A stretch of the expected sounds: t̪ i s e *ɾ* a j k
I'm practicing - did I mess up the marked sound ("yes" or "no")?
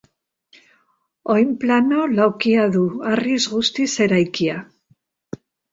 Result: no